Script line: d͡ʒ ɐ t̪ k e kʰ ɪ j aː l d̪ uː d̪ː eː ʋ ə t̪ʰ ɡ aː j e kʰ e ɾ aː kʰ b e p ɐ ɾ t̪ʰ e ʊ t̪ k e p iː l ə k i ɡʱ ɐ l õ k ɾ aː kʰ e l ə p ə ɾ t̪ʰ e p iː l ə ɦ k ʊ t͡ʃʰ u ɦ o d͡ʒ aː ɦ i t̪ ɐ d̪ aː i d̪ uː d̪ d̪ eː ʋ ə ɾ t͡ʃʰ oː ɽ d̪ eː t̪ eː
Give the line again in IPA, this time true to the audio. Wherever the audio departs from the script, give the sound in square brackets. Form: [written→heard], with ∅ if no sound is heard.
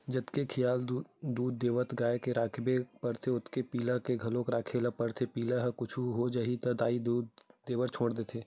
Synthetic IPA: d͡ʒ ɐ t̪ k e kʰ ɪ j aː l d̪ uː d̪ː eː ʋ ə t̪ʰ ɡ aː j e [kʰ→k] e ɾ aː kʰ b e p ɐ ɾ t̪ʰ e ʊ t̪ k e p iː l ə k [i→e] ɡʱ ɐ l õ k ɾ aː kʰ e l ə p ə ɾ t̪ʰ e p iː l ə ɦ k ʊ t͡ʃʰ u ɦ o d͡ʒ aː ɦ i t̪ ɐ d̪ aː i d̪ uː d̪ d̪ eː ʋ ə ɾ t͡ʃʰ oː ɽ d̪ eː [t̪→t̪ʰ] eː